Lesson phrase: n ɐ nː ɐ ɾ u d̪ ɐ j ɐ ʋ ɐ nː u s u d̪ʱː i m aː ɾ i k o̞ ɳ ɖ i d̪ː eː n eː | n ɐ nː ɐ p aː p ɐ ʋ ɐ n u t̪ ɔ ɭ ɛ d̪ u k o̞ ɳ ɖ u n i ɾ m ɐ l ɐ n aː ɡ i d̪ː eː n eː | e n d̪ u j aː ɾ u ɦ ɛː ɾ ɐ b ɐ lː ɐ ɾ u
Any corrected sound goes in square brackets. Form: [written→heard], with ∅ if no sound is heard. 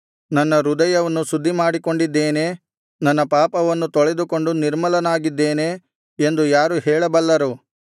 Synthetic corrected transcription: n ɐ nː ɐ ɾ u d̪ ɐ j ɐ ʋ ɐ nː u s u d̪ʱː i m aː [ɾ→ɽ] i k o̞ ɳ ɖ i d̪ː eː n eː | n ɐ nː ɐ p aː p ɐ ʋ ɐ [n→nː] u t̪ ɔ ɭ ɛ d̪ u k o̞ ɳ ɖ u n i ɾ m ɐ l ɐ n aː ɡ i d̪ː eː n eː | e n d̪ u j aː ɾ u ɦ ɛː [ɾ→ɭ] ɐ b ɐ lː ɐ ɾ u